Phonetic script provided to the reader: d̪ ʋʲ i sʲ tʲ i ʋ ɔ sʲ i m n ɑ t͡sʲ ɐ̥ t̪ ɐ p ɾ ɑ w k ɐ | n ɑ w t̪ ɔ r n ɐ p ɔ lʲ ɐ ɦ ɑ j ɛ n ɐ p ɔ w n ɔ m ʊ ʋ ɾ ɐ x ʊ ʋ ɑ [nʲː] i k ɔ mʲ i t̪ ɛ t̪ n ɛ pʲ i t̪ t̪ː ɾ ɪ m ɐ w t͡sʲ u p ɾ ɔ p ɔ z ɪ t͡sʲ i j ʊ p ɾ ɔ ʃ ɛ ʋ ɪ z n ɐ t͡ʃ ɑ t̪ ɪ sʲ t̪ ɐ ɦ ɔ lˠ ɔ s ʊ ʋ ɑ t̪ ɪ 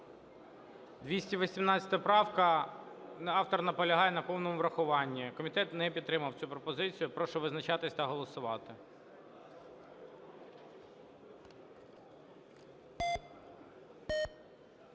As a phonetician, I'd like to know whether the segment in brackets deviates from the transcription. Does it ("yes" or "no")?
no